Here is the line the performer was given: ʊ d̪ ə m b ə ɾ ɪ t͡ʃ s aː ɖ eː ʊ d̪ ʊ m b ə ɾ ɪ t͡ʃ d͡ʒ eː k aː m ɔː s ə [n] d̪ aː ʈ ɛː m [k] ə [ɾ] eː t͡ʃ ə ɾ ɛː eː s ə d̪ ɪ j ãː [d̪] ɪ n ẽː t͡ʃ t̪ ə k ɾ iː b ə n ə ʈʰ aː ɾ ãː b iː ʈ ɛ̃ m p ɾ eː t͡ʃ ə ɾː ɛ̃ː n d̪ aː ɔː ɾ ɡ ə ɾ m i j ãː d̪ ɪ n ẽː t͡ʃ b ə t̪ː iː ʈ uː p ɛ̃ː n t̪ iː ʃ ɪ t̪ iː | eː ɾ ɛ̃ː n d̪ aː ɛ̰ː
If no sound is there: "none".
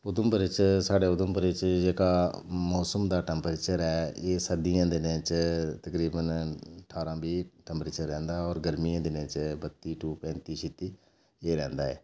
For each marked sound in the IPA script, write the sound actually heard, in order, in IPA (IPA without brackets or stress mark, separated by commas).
m, p, ɾ, d̪